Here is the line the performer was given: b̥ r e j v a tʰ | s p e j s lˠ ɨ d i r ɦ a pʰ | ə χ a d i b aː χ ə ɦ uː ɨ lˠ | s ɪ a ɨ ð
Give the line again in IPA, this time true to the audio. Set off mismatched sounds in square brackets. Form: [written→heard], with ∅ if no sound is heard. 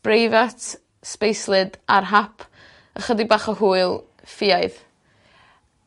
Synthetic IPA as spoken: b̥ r e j v a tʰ | s p e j s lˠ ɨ d [i→a] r ɦ a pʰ | ə χ [a→ə] d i b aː χ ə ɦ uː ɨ lˠ | [s→f] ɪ a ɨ ð